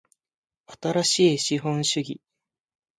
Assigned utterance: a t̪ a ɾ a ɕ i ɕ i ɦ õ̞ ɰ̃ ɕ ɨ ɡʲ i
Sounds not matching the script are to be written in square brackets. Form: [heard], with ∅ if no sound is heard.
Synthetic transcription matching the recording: a t̪ a ɾ a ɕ [iː] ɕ i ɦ õ̞ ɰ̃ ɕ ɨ ɡʲ i